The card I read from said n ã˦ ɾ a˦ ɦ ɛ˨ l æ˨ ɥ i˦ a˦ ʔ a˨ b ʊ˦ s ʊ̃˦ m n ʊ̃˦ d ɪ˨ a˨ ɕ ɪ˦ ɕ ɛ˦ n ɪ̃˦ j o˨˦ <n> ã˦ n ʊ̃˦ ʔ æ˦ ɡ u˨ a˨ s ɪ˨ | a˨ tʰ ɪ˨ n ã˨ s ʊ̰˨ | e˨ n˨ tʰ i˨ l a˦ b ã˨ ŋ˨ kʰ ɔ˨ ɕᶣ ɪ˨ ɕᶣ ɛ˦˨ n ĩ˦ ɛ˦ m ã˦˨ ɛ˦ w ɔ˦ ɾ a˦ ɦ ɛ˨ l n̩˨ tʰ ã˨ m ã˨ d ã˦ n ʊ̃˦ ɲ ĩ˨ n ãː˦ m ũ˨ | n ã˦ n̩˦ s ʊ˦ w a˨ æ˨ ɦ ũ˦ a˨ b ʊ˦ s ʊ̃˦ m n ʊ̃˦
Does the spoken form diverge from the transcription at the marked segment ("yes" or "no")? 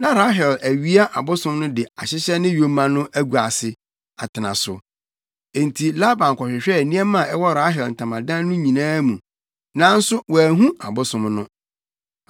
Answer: yes